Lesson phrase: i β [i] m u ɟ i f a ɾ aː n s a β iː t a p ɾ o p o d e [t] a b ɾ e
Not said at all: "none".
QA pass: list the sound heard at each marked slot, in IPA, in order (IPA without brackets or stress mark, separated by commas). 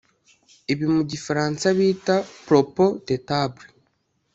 i, t